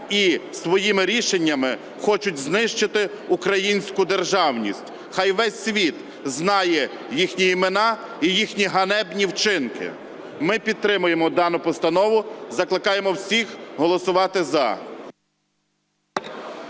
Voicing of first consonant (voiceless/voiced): voiceless